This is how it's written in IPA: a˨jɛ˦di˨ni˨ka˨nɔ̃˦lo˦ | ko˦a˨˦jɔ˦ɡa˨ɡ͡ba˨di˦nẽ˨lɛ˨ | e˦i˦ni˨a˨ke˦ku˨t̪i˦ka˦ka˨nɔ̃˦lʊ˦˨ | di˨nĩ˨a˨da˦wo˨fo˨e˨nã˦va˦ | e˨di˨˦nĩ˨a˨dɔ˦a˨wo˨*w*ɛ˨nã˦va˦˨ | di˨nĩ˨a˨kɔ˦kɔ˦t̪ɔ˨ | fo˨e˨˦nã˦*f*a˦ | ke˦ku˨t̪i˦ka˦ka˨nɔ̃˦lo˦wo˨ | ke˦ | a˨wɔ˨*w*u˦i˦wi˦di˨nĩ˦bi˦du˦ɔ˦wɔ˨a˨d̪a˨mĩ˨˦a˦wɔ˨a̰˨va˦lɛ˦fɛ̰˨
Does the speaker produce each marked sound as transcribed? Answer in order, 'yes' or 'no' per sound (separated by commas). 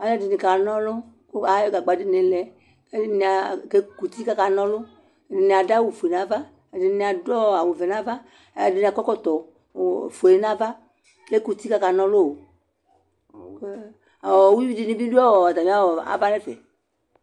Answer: no, no, yes